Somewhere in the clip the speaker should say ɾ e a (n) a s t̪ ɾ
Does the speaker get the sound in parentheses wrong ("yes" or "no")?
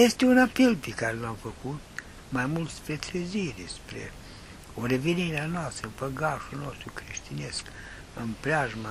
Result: no